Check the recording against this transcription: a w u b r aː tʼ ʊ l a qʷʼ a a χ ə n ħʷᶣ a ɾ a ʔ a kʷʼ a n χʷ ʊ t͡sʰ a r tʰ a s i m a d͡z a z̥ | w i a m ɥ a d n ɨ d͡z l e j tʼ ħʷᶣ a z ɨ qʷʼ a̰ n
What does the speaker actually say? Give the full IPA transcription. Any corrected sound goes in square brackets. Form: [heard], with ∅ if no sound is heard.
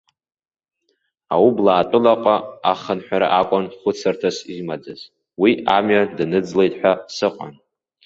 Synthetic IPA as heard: a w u b [l] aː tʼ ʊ l a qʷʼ a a χ ə n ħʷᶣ a ɾ a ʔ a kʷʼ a n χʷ ʊ t͡sʰ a r tʰ a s i m a d͡z a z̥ | w i a m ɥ a d n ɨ d͡z l e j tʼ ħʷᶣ a [s] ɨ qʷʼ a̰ n